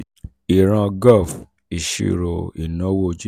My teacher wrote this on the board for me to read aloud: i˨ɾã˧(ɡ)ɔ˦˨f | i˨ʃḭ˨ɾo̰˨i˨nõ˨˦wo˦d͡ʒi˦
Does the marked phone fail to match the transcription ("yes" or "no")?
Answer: no